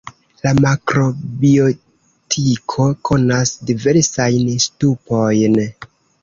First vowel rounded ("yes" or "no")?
no